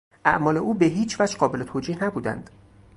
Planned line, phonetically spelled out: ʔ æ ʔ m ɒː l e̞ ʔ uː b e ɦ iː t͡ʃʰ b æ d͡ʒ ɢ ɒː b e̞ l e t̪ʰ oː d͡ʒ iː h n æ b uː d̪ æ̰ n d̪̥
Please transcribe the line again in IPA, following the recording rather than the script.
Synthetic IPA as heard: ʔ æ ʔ m ɒː l e̞ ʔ uː b e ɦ iː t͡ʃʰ v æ d͡ʒ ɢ ɒː b e̞ l e t̪ʰ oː d͡ʒ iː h n æ b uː d̪ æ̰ n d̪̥